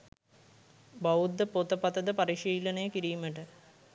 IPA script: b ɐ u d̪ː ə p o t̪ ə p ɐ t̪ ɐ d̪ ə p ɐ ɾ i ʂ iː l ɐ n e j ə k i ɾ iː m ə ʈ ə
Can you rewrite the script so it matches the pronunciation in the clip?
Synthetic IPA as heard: b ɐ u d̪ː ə p o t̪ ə p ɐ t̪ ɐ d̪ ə p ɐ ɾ i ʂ iː l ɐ n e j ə k i ɾ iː m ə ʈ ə